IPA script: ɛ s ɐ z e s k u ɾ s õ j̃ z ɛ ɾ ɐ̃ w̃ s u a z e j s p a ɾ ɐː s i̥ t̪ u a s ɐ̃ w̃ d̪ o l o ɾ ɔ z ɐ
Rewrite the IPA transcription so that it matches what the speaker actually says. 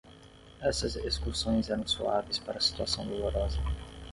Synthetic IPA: ɛ s ɐ z e s k u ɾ s õ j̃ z ɛ ɾ ɐ̃ w̃ s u a v e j s p a ɾ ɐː s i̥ t̪ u a s ɐ̃ w̃ d̪ o l o ɾ ɔ z ɐ